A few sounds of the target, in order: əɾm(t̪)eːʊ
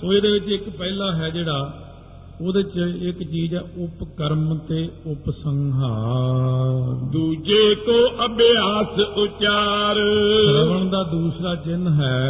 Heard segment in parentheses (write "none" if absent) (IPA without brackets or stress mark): t̪